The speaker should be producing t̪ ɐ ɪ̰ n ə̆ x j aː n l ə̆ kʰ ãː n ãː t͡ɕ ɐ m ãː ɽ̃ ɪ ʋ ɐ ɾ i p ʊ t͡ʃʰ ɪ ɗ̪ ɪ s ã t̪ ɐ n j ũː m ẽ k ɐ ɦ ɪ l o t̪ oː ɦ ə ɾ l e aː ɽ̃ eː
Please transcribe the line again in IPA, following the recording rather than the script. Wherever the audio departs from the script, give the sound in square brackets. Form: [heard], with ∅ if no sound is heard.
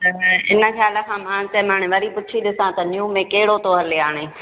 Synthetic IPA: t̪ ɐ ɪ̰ n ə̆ x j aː [∅] l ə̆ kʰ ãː [m] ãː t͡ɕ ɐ m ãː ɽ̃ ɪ ʋ ɐ ɾ i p ʊ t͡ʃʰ [i] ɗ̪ ɪ s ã t̪ ɐ n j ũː m ẽ k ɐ ɦ ɪ [ɽ] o t̪ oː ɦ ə ɾ l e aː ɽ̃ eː